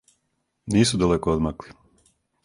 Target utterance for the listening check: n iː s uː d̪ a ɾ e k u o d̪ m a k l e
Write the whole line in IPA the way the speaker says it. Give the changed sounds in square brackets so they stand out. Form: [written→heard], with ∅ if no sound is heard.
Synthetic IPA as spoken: n iː s [uː→u] d̪ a [ɾ→l] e k [u→o] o d̪ m a k l [e→i]